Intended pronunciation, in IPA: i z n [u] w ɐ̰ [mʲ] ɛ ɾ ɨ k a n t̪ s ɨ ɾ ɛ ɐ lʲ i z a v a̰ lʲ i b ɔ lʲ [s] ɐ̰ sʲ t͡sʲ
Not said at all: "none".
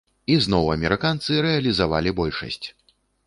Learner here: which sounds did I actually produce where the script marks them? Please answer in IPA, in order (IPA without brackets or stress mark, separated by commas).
ɔ, mʲ, ʂ